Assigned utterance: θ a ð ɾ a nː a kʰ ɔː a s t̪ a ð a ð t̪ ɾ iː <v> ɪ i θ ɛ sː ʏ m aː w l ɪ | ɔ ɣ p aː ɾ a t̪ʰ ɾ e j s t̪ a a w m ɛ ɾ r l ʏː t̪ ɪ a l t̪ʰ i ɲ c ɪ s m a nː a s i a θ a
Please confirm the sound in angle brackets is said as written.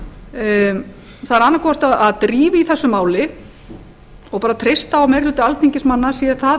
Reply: yes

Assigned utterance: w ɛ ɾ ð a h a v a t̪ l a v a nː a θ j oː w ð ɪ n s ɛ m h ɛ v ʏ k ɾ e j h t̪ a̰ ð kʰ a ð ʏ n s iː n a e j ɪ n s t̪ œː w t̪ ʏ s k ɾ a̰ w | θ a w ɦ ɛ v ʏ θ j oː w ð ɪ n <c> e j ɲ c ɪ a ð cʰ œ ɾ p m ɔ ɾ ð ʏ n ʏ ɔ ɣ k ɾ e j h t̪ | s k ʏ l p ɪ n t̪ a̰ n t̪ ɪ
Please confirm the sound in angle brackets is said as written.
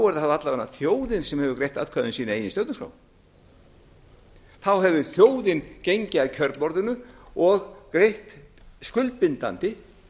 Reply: yes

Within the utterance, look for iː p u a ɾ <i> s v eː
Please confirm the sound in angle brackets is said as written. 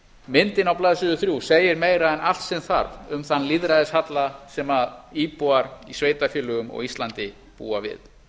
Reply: yes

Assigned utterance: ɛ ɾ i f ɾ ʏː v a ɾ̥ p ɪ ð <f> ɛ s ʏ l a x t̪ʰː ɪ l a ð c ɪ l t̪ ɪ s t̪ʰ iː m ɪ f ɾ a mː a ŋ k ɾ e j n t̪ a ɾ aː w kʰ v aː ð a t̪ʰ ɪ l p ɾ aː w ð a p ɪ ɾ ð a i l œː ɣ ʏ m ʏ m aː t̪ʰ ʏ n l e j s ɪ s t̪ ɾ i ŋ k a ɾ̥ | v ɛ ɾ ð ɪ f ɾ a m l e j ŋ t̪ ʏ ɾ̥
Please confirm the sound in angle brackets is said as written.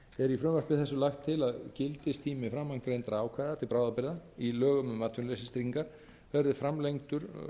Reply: no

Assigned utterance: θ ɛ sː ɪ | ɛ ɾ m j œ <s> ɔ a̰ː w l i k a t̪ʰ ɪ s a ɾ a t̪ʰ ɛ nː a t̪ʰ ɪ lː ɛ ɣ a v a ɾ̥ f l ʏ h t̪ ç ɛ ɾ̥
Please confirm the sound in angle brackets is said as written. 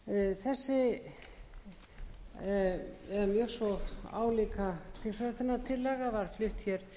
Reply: yes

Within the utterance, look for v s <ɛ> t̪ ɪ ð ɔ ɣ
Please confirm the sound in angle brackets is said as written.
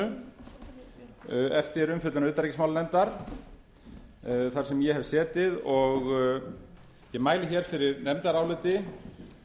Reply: no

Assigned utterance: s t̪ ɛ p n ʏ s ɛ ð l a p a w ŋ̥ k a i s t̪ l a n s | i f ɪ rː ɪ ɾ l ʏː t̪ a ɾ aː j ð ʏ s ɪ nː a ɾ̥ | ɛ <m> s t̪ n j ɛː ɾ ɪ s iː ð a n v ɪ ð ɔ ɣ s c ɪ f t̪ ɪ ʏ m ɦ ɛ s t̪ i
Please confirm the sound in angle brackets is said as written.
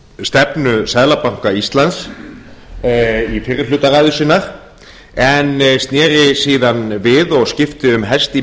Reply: no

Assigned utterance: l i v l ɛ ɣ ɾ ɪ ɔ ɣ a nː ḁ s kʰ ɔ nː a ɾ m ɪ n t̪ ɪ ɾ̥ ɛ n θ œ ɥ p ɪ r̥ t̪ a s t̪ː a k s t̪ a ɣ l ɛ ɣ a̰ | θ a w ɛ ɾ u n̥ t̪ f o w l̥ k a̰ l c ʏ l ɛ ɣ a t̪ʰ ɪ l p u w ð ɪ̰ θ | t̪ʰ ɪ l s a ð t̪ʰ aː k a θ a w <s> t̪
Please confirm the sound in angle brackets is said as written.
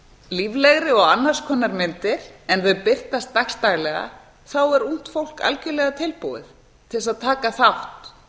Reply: no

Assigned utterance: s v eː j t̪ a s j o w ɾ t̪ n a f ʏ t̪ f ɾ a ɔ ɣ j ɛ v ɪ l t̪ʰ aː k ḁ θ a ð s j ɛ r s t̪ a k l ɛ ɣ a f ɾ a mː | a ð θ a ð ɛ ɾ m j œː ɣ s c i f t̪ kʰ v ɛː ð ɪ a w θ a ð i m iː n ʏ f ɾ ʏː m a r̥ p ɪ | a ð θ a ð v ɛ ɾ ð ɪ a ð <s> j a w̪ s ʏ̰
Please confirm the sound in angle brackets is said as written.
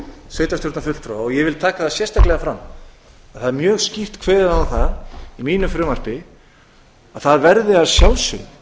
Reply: yes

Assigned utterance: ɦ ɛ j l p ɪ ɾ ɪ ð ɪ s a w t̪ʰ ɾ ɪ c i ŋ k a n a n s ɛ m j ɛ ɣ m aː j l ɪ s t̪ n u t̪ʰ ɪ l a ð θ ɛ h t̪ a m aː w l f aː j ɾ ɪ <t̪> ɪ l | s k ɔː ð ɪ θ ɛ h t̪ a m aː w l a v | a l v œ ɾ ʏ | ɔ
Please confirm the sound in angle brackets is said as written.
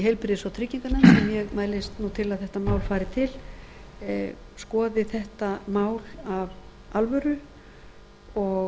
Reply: no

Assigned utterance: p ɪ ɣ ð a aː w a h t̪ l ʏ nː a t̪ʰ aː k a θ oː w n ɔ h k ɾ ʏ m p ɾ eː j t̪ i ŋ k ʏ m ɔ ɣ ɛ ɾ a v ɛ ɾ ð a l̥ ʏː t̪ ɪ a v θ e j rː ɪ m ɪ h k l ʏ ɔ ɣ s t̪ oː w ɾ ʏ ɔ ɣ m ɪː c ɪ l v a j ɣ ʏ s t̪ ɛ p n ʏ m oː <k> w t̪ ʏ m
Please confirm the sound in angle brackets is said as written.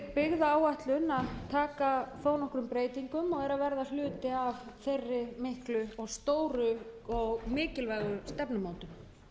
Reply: no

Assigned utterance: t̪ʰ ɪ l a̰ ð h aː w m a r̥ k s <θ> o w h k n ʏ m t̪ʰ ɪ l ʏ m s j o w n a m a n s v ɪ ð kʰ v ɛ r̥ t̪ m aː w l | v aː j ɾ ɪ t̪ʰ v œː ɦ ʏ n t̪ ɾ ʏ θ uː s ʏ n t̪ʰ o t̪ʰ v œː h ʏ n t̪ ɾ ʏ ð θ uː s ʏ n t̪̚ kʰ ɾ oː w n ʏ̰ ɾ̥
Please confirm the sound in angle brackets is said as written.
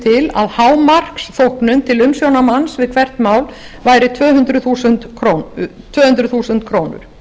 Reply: yes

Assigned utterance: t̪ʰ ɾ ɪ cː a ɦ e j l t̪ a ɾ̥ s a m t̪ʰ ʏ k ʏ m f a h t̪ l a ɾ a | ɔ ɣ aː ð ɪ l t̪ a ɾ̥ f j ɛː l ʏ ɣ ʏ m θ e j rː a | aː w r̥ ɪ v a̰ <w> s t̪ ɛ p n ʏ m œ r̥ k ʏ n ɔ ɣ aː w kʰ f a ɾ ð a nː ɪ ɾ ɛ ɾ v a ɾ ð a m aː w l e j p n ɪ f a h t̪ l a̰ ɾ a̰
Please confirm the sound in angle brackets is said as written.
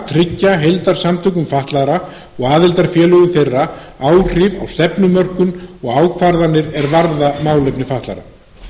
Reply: yes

